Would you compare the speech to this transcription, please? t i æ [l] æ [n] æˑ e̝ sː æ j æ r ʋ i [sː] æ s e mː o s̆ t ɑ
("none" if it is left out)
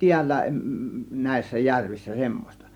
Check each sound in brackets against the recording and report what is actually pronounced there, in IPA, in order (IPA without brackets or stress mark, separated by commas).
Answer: lː, n, sː